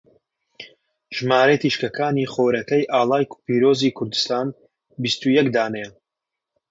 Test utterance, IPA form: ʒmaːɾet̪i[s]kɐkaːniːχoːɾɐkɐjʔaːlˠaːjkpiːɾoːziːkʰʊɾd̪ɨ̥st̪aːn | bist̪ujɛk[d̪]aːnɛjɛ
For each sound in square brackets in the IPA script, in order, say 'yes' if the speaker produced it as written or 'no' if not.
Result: no, yes

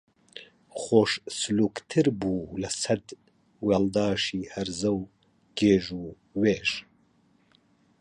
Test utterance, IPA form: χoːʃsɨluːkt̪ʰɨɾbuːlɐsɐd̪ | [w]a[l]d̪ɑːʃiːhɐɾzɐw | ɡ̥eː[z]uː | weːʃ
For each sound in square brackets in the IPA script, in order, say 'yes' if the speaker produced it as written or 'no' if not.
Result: yes, yes, no

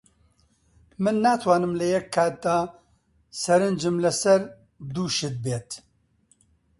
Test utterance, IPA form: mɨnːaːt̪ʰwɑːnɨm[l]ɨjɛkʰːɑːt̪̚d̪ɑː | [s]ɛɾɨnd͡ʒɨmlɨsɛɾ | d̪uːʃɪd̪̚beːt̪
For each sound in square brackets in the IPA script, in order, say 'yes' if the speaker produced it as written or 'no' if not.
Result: yes, yes

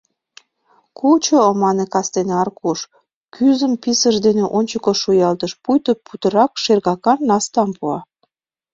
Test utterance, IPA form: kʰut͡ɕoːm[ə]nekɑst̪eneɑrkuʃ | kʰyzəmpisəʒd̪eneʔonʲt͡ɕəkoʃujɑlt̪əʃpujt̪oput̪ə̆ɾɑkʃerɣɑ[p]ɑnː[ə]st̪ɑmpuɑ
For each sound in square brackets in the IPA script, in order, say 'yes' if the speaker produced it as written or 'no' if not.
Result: no, no, no

